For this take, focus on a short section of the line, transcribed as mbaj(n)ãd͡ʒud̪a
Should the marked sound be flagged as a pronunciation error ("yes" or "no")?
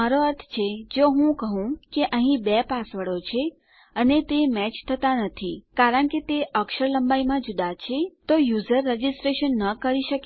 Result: yes